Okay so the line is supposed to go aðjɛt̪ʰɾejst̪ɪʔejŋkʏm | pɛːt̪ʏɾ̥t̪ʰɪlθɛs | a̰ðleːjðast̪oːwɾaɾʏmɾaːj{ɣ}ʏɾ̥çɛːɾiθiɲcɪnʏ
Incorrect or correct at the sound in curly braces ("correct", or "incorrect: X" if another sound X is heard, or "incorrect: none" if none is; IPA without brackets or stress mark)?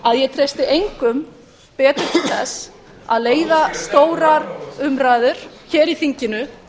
incorrect: ð